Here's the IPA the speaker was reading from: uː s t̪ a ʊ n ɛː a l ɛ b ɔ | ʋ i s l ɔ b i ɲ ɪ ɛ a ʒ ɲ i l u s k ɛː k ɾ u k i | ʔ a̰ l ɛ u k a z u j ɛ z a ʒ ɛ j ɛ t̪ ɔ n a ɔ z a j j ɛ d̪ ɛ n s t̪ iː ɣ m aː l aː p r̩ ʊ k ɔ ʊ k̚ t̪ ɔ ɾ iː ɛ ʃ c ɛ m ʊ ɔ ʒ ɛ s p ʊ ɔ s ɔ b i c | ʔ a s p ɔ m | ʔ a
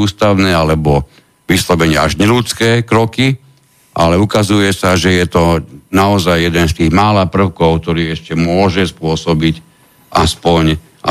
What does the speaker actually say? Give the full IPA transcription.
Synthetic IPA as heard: uː s t̪ a ʊ n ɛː a l ɛ b ɔ | ʋ i s l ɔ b ɛ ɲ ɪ ɛ a ʒ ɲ ɛ l u t͡s k ɛː k ɾ ɔ k i | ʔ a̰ l ɛ u k a z u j ɛ s a ʒ ɛ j ɛ t̪ ɔ n a ɔ z a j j ɛ d̪ ɛ n s t̪ iː ɣ m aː l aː p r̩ ʊ k ɔ ʊ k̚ t̪ ɔ ɾ iː ɛ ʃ c ɛ m ʊ ɔ ʒ ɛ s p ʊ ɔ s ɔ b i c | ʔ a s p ɔ ɲ | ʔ a